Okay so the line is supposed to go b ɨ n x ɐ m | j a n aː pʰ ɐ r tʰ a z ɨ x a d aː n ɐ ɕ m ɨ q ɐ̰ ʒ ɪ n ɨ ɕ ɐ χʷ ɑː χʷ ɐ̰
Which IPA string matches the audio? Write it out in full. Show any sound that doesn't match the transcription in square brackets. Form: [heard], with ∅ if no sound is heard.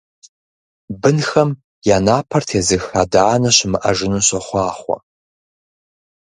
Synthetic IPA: b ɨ n x ɐ m | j a n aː pʰ ɐ r tʰ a z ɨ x a d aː n ɐ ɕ m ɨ [ʔ] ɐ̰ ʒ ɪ n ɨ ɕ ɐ χʷ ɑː χʷ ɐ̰